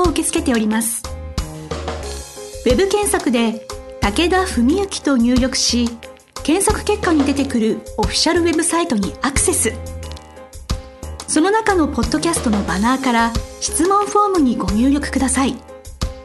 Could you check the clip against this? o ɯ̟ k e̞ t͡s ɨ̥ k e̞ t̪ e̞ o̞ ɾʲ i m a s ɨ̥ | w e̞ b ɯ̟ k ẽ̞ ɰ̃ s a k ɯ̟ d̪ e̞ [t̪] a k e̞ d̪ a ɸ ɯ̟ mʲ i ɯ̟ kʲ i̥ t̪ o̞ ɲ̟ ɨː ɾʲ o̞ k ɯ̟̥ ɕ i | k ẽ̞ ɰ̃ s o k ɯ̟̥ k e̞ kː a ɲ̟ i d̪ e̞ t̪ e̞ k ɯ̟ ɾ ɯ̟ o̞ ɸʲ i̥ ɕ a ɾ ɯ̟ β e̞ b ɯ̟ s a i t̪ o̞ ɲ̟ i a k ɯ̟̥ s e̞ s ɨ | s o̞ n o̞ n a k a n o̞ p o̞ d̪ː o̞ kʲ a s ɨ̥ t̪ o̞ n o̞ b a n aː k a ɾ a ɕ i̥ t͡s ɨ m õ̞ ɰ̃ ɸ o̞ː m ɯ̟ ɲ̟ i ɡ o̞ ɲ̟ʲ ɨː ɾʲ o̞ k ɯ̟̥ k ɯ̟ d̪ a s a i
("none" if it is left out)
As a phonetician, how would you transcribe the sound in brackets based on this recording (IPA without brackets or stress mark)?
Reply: t̪